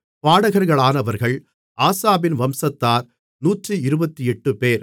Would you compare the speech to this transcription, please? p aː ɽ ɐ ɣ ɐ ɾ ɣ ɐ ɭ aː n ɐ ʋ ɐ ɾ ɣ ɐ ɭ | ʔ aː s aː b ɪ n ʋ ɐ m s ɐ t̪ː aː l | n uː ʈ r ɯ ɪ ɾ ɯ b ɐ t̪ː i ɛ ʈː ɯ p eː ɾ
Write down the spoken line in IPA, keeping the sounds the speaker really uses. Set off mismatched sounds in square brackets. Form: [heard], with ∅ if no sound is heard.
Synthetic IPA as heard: p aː ɽ ɐ ɣ ɐ ɾ ɣ ɐ ɭ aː n ɐ ʋ ɐ ɾ ɣ ɐ ɭ | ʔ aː s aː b ɪ n ʋ ɐ m s ɐ t̪ː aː [ɾ] | n uː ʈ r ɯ ɪ ɾ ɯ b ɐ t̪ː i ɛ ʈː ɯ p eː ɾ